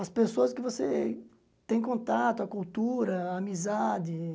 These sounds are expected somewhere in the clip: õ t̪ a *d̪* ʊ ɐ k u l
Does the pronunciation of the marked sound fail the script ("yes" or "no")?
yes